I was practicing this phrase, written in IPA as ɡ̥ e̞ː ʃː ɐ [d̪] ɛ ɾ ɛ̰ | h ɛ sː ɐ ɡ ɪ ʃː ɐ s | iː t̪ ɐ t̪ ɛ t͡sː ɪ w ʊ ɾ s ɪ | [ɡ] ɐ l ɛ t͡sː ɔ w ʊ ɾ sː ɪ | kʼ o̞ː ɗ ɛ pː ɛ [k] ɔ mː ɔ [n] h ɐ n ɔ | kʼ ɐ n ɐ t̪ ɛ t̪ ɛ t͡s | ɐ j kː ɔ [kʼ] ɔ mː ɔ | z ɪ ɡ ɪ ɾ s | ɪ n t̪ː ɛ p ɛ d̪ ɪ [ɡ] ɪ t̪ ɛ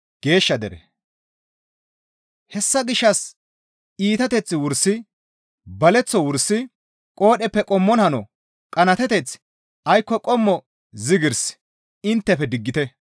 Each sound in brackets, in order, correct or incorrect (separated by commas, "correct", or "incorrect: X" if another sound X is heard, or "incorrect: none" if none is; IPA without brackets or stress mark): correct, incorrect: b, incorrect: kʼ, correct, correct, incorrect: ɡː